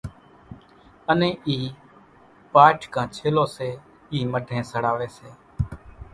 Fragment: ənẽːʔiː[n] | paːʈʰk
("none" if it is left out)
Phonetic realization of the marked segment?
none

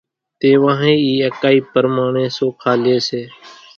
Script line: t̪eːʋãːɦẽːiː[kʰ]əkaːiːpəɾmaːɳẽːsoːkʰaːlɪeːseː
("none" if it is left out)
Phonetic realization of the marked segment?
none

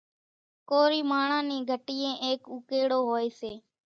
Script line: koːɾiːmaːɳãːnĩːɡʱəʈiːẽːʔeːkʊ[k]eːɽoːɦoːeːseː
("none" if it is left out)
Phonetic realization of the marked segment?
k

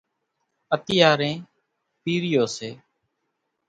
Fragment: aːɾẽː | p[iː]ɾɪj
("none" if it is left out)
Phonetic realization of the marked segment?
iː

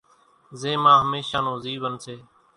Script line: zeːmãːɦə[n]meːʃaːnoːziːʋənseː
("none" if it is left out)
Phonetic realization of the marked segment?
none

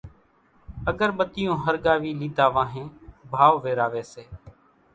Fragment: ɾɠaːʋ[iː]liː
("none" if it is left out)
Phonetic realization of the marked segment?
iː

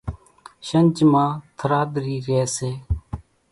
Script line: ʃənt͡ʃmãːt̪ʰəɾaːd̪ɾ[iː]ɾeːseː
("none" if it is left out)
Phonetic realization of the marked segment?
iː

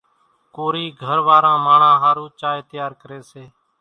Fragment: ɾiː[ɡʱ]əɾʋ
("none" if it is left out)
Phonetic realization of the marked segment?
ɡʱ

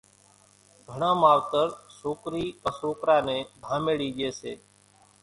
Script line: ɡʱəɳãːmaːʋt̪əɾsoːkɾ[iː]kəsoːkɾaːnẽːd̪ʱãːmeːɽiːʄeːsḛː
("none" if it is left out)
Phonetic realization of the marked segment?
iː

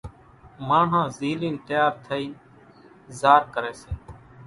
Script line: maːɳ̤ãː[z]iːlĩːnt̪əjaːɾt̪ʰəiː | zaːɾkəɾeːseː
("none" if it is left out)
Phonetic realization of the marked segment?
z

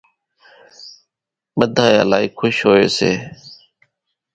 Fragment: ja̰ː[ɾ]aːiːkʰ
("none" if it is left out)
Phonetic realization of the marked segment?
l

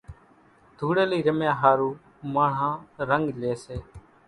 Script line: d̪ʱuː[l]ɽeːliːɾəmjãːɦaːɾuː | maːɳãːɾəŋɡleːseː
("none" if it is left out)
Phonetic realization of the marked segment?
none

